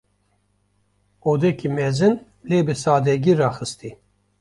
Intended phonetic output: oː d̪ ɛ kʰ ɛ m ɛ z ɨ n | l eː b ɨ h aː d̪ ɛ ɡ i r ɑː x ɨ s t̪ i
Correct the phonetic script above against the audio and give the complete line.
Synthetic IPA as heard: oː d̪ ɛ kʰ i m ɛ z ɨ n | l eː b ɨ s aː d̪ ɛ ɡ i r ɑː x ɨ s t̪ i